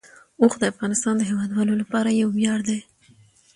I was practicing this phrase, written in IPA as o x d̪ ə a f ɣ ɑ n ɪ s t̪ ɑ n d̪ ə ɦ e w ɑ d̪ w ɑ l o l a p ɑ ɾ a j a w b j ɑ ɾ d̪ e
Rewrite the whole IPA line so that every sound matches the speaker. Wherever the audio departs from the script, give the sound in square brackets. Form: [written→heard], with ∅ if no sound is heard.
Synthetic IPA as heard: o x d̪ ə a f ɣ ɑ n ɪ s t̪ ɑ n d̪ ə ɦ e w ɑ d̪ w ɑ l o l a p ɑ ɾ a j a w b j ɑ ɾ d̪ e

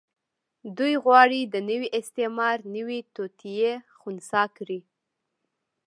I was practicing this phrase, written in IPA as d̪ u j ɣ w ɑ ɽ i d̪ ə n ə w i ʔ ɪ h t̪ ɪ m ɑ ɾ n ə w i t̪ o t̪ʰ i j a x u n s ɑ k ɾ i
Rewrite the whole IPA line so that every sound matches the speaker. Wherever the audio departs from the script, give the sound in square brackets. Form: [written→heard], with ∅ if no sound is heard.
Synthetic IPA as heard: d̪ u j ɣ w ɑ ɽ i d̪ ə n ə w i ʔ ɪ [h→s] t̪ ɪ m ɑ ɾ n ə w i t̪ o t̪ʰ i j [a→e] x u n s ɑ k ɾ i

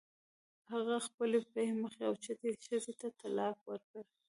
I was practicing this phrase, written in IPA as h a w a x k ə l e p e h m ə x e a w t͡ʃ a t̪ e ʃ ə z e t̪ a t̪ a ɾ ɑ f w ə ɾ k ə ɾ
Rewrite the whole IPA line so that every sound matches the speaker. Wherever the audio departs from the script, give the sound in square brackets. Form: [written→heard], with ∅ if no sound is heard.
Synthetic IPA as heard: h a [w→ɣ] a x [k→p] ə l e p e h m ə x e a w t͡ʃ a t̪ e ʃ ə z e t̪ a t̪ a [ɾ→l] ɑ f w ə ɾ k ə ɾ

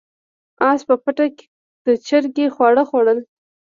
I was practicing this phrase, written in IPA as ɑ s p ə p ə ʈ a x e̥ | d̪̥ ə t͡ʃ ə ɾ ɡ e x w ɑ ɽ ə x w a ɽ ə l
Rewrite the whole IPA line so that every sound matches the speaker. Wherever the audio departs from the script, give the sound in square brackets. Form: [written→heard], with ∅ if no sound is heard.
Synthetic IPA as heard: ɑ s p ə p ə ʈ a [x→k] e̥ | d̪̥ ə t͡ʃ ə ɾ ɡ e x w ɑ ɽ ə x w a ɽ ə l

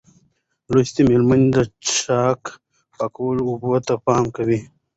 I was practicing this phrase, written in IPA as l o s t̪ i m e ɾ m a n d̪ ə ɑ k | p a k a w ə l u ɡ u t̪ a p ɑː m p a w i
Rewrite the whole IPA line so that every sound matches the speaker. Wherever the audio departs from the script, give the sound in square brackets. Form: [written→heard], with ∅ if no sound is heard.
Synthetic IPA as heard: l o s t̪ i m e [ɾ→l] m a n d̪ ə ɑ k | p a k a w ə l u [ɡ→b] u t̪ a p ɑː m [p→k] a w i

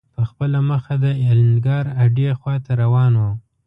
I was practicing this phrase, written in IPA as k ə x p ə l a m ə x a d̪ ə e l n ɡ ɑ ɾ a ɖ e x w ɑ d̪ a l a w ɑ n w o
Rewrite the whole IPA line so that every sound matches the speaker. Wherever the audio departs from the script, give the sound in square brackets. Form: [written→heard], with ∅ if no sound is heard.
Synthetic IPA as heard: [k→p] ə x p ə l a m ə x a d̪ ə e l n ɡ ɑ ɾ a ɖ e x w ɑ [d̪→t̪] a [l→ɾ] a w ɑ n w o

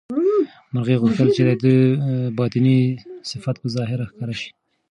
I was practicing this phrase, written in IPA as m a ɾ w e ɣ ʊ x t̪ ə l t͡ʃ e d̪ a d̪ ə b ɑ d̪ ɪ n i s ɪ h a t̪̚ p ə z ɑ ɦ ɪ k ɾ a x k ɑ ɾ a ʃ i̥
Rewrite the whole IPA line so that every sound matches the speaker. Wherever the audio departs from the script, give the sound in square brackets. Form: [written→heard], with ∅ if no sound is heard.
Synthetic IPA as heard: m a ɾ [w→ɣ] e ɣ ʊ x t̪ ə l t͡ʃ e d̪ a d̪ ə b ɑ [d̪→t̪] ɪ n i s ɪ [h→f] a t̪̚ p ə z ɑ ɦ ɪ [k→∅] ɾ a x k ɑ ɾ a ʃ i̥

